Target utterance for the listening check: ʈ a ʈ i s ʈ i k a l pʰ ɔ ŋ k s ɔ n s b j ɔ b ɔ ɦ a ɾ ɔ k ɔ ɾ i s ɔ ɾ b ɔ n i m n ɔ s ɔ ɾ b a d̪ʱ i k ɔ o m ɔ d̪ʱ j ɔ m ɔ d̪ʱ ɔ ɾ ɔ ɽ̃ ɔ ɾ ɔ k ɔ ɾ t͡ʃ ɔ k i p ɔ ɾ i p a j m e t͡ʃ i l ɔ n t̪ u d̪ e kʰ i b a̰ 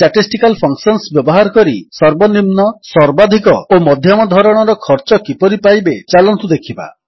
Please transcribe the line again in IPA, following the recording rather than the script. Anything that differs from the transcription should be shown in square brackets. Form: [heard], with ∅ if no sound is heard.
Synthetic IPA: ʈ a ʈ i s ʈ i k a l pʰ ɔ ŋ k s ɔ n s b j ɔ b ɔ ɦ a ɾ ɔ k ɔ ɾ i s ɔ ɾ b ɔ n i m n ɔ s ɔ ɾ b a d̪ʱ i k ɔ o m ɔ d̪ʱ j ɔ m ɔ d̪ʱ ɔ ɾ ɔ ɽ̃ ɔ ɾ ɔ [kʰ] ɔ ɾ t͡ʃ ɔ k i p ɔ ɾ i p a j [b] e t͡ʃ [a] l ɔ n t̪ u d̪ e kʰ i b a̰

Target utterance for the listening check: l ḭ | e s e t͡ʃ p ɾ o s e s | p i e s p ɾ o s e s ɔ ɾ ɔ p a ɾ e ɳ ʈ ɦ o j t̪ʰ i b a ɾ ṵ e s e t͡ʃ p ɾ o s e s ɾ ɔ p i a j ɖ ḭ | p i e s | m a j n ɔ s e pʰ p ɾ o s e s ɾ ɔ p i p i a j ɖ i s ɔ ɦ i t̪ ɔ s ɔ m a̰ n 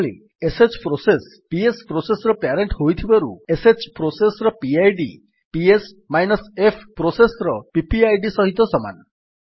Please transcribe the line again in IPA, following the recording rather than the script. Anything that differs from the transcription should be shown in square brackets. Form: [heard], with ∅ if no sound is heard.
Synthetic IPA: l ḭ | e s e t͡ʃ p ɾ o s e s | p i e s p ɾ o s e s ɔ ɾ ɔ p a ɾ e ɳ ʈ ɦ o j t̪ʰ i b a ɾ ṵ e s e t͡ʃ p ɾ o s e s ɾ ɔ p i a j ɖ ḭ | p i e s | m a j n ɔ s e pʰ p ɾ o s e s ɾ ɔ p i p i a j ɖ i s ɔ ɦ i t̪ ɔ s ɔ m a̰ n

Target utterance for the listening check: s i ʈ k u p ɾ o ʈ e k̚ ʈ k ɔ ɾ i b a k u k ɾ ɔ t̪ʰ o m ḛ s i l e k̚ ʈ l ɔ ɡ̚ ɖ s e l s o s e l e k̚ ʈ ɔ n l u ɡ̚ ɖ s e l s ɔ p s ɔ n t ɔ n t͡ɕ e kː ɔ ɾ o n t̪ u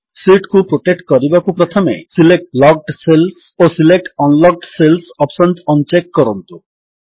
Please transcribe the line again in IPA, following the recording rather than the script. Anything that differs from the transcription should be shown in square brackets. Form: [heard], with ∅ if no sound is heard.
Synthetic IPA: s i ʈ k u p ɾ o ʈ e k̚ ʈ k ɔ ɾ i b a k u [p] ɾ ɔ t̪ʰ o m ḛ s i l e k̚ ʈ l ɔ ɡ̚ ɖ s e l s o s [i] l e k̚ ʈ ɔ n l [ɔ] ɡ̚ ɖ s e l s ɔ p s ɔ n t ɔ n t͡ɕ e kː ɔ ɾ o n t̪ u

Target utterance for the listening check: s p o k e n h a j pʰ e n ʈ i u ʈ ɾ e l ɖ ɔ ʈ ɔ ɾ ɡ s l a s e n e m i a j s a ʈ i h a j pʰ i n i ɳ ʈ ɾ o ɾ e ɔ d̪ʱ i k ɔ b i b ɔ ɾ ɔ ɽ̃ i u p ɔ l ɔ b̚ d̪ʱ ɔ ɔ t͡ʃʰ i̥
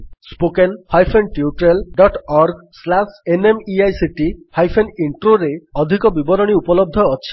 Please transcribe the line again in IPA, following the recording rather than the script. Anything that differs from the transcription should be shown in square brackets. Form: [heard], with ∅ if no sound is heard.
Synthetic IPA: s p o k e n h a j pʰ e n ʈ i u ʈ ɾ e l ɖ ɔ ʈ ɔ ɾ ɡ s l a s e n e m i a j s [i] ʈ i h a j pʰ [e] n i ɳ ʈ ɾ o ɾ e ɔ d̪ʱ i k ɔ b i b ɔ ɾ ɔ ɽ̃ i u p ɔ l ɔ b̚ d̪ʱ ɔ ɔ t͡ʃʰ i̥

